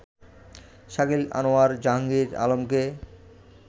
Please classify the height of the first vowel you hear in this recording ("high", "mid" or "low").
low